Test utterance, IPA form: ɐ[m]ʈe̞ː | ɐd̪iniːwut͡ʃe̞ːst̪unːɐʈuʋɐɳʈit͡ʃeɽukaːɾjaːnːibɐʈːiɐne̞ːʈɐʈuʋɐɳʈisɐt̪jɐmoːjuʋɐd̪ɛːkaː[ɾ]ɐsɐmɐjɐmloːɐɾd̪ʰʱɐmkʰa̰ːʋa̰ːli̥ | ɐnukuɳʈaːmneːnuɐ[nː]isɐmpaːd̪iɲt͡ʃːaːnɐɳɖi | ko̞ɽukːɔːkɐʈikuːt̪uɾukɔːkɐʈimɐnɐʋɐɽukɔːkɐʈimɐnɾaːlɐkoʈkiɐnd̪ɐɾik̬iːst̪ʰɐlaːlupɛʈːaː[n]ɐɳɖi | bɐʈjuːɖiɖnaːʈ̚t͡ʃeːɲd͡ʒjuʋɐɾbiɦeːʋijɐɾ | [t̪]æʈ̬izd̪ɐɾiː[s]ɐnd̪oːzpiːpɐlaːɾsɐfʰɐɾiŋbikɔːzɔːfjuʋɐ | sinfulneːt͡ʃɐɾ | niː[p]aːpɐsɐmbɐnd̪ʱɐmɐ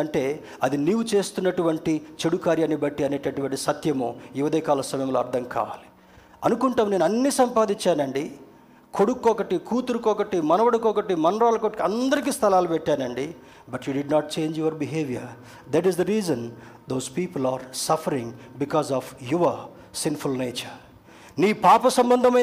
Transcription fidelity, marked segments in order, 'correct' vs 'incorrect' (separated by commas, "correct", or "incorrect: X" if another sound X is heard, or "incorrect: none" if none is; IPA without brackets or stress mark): incorrect: ɳ, incorrect: l, correct, correct, incorrect: d̪, incorrect: z, correct